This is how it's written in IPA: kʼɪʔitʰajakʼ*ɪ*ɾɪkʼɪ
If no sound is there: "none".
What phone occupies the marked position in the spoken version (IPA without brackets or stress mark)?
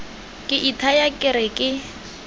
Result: ɪ